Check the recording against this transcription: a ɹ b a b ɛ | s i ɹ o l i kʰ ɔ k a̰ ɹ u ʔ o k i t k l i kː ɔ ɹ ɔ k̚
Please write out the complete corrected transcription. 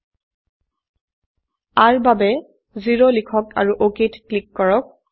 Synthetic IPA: a ɹ b a b ɛ | z i ɹ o l i kʰ ɔ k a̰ ɹ u ʔ o k i t k l i kː ɔ ɹ ɔ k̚